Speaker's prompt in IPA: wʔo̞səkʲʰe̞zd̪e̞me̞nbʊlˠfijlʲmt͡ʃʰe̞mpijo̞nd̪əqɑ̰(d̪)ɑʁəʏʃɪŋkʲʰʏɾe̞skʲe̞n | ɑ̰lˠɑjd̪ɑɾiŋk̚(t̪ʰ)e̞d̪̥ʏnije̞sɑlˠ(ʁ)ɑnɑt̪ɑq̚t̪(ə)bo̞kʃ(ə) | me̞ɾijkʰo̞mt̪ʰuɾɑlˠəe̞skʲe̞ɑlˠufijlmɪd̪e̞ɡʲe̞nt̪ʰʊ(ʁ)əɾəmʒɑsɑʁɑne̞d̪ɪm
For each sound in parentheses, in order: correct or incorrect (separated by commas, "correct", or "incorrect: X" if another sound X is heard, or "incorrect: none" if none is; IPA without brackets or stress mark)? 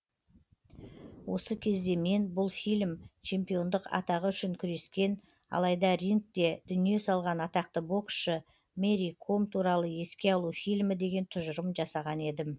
incorrect: t̪, incorrect: t̪, correct, correct, correct, incorrect: ʒ